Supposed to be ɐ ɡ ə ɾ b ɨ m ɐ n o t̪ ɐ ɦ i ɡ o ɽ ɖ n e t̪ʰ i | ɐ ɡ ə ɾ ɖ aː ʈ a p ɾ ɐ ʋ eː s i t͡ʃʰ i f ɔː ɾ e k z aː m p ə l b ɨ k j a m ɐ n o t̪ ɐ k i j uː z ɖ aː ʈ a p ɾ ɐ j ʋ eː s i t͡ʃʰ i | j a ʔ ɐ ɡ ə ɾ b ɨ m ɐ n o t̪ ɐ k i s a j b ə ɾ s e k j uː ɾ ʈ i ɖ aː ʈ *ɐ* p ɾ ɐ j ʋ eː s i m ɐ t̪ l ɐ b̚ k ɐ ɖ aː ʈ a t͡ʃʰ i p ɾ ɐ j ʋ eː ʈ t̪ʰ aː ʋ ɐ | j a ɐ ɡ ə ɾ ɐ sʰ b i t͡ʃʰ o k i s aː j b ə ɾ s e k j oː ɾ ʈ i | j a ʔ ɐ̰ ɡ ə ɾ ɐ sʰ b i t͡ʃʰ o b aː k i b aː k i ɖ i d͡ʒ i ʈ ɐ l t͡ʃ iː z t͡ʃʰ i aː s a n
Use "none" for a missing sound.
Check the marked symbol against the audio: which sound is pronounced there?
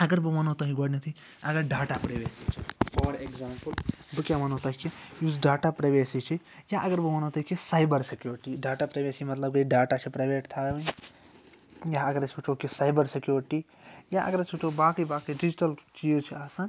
a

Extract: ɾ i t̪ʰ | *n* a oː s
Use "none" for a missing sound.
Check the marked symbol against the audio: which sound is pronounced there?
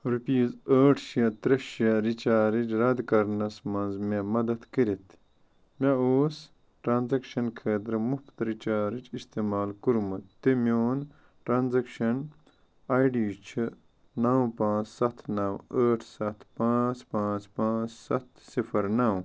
m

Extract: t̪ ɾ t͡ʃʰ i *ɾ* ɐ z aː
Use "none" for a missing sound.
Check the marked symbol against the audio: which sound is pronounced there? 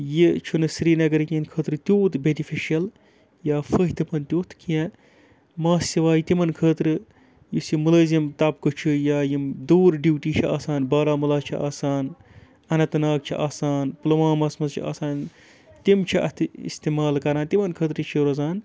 ɾ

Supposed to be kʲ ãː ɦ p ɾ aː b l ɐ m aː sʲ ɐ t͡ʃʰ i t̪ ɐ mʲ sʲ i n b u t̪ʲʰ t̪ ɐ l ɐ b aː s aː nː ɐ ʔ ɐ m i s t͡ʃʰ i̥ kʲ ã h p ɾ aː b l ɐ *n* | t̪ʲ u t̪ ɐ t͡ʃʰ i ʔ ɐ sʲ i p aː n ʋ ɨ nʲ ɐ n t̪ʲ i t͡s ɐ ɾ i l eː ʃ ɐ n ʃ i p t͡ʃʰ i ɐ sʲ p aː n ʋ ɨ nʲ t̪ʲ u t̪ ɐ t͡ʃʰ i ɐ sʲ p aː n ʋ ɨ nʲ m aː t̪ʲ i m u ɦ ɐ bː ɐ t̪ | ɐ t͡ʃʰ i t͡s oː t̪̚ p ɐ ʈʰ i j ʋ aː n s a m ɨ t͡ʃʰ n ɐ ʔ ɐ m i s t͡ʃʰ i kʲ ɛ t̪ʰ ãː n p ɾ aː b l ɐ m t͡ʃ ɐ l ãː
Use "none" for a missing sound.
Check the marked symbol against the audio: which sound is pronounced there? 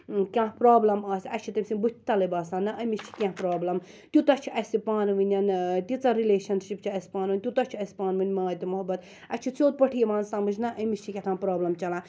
m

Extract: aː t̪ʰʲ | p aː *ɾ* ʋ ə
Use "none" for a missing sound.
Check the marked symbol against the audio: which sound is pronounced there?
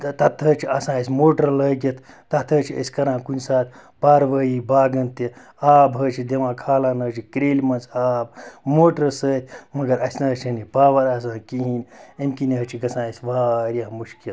ɾ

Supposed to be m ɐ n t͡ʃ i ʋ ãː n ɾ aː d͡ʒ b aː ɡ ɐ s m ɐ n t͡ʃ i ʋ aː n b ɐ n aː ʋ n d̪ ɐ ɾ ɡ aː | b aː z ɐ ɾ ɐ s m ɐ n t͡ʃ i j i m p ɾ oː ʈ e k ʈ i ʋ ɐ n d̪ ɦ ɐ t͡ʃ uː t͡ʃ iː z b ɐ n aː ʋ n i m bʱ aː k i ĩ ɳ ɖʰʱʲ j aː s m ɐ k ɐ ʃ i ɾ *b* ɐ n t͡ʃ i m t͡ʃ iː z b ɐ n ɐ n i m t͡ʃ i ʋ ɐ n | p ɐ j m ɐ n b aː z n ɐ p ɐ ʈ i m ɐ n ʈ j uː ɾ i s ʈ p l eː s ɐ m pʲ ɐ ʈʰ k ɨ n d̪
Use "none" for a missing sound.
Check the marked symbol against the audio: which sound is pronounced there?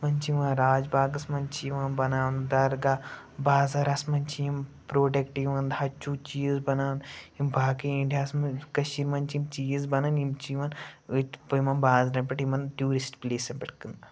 m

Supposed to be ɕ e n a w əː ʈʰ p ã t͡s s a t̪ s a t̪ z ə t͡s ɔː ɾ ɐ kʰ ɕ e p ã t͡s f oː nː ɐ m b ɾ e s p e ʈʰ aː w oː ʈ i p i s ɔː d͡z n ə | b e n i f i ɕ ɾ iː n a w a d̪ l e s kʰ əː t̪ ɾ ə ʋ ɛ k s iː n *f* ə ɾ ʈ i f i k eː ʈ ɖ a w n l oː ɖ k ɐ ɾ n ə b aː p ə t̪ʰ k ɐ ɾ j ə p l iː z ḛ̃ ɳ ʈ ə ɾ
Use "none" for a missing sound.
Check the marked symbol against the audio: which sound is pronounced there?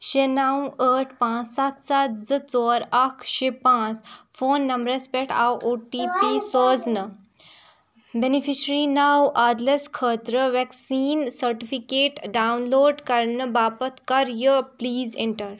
s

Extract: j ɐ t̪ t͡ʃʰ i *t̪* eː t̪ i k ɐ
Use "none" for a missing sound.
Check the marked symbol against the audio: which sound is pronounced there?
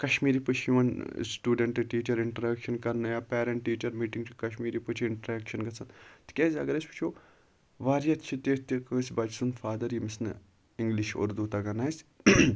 t̪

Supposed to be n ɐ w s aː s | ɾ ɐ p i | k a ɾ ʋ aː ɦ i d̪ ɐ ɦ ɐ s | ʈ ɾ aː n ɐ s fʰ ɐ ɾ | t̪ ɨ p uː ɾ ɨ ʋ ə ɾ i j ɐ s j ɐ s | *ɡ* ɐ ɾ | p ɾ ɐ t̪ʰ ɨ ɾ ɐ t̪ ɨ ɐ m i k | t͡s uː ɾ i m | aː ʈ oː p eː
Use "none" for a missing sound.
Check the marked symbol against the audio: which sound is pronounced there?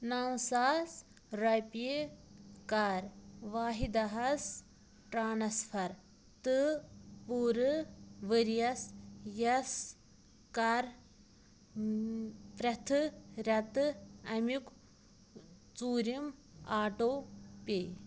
k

